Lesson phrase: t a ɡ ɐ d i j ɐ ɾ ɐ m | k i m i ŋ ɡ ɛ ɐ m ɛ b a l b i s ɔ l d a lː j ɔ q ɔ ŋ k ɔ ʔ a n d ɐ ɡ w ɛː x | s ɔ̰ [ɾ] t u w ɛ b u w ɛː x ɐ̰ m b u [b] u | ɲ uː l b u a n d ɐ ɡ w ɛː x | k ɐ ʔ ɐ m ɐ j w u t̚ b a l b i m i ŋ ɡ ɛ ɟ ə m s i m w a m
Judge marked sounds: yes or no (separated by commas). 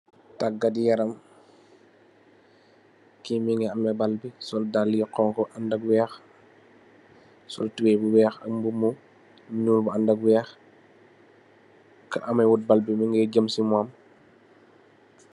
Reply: no, no